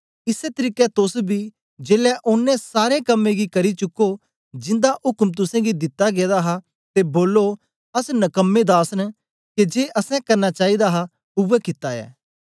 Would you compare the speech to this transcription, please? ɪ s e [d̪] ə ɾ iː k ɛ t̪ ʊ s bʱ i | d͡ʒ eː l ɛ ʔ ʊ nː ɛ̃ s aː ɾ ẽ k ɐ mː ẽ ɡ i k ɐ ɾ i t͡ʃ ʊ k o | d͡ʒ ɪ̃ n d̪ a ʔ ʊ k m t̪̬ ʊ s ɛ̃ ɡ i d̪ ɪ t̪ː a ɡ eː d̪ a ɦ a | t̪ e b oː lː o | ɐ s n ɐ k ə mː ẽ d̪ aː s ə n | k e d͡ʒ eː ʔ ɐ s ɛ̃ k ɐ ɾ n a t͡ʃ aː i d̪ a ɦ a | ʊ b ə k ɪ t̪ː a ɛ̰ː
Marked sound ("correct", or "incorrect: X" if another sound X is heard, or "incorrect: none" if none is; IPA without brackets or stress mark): incorrect: t̪